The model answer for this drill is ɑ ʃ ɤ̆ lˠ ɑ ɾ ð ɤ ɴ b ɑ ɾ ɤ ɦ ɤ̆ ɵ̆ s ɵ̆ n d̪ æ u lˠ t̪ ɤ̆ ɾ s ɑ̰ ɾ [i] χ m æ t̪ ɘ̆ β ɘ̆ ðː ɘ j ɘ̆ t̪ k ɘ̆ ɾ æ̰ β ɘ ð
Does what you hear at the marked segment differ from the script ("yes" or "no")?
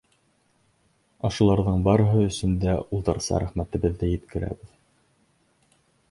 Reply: yes